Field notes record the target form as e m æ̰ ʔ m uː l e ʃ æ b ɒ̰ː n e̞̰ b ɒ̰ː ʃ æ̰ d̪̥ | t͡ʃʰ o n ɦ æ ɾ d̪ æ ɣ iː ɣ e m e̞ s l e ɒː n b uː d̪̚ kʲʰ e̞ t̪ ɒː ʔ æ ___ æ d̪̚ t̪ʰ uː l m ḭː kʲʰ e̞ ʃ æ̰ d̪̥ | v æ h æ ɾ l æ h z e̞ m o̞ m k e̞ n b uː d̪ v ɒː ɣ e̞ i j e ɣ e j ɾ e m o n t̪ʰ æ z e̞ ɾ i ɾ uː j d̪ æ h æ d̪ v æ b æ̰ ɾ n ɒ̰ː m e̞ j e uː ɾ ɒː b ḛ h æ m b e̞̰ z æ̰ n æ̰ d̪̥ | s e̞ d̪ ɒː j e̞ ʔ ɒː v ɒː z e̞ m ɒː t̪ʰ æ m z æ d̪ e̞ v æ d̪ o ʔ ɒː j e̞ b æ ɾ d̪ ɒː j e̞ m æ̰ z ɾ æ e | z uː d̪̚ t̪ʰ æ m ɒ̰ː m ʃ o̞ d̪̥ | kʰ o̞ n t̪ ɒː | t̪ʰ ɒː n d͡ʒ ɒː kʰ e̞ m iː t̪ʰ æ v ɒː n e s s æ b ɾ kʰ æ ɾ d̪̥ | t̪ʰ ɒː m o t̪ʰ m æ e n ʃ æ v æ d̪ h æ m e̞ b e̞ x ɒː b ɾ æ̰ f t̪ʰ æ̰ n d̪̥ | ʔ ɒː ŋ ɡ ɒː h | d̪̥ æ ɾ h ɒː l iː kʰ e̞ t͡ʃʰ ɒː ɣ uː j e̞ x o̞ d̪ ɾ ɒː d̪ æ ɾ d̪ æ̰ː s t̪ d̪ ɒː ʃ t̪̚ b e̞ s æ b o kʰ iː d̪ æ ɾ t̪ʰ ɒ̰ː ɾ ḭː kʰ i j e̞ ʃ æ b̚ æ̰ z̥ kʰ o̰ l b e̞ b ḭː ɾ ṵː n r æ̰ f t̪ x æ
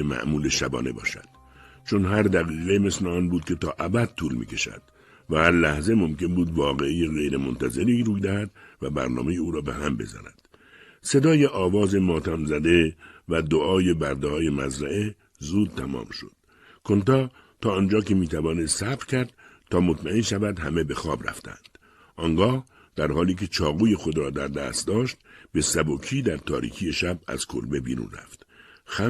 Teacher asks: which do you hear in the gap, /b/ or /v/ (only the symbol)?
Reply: b